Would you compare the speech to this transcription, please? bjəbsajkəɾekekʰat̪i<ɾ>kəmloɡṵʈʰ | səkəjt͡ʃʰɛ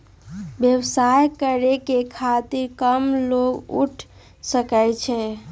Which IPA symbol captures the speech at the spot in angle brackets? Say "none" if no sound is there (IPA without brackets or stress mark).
ɾ